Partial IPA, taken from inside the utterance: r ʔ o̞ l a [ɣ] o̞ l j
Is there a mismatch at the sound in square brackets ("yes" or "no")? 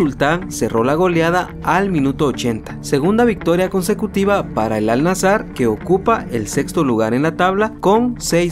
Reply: no